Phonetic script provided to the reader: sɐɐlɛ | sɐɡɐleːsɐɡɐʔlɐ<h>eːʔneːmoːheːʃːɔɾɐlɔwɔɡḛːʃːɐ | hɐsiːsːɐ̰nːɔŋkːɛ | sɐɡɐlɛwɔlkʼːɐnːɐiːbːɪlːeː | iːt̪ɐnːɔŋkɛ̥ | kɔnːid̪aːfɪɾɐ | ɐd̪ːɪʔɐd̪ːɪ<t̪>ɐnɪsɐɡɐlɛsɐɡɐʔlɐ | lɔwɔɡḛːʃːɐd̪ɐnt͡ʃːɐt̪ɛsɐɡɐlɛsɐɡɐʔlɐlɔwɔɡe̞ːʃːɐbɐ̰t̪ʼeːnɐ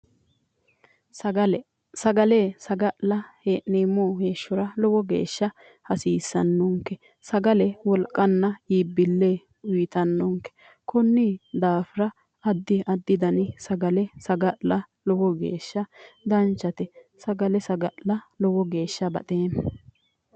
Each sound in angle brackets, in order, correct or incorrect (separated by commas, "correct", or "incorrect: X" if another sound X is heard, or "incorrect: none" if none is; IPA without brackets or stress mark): correct, incorrect: d̪